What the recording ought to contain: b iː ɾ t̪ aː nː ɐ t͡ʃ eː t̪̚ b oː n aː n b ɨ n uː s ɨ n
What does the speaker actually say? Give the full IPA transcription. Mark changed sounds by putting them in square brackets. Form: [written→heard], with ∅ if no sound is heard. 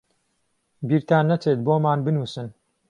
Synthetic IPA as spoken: b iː ɾ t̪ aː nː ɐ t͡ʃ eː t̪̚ b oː [n→m] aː n b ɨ n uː s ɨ n